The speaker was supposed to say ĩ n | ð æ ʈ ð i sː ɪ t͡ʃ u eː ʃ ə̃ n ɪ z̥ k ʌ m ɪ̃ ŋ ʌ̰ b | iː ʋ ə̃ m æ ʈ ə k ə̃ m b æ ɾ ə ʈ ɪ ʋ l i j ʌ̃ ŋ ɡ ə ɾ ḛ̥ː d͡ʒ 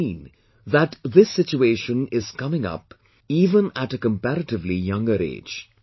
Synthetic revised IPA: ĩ n | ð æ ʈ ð ɪ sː ɪ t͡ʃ u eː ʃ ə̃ n ɪ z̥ k ʌ m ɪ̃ ŋ ʌ̰ p | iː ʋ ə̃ n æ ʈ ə k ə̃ m p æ ɾ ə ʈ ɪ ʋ l i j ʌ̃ ŋ ɡ ə ɾ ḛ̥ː d͡ʒ

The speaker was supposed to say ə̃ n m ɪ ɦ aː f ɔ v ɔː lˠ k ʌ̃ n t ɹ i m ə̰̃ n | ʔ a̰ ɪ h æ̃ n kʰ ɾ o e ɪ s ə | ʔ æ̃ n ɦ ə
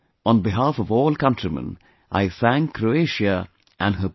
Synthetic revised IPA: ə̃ n b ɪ ɦ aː f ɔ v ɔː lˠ k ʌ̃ n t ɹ i m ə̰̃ n | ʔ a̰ ɪ s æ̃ ŋ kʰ ɾ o e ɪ ʃ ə | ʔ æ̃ n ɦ ə

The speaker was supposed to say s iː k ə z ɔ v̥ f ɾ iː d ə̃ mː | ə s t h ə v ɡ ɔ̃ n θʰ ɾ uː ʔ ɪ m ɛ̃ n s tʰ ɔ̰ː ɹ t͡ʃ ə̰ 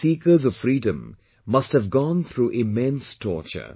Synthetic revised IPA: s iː k ə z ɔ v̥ f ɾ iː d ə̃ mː | ʌ s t h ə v ɡ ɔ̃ n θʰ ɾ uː ʔ ɪ m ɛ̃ n s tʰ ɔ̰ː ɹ t͡ʃ ə̰

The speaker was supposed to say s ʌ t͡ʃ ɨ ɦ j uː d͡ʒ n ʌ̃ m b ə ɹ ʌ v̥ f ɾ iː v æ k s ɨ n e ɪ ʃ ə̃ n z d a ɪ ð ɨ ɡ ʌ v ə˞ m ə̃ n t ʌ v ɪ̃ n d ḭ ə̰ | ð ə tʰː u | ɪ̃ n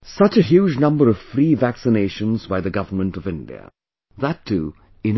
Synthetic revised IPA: s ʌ t͡ʃ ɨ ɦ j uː d͡ʒ n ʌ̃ m b ə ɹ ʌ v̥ f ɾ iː v æ k s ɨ n e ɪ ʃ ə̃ n z b a ɪ ð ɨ ɡ ʌ v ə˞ m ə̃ n t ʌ v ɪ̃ n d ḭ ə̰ | ð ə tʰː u | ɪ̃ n

